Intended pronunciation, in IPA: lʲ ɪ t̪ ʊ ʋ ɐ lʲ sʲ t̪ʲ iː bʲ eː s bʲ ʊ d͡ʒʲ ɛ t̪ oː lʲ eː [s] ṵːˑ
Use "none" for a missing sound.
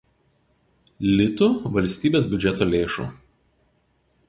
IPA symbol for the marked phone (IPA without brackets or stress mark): ʃ